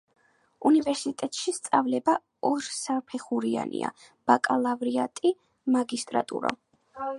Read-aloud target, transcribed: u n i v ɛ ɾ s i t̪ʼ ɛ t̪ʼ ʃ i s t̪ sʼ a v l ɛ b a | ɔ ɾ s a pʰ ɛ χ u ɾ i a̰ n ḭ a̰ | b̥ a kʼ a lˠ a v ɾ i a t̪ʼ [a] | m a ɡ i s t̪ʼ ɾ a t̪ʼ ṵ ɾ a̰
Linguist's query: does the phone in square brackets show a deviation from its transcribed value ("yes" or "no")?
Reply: yes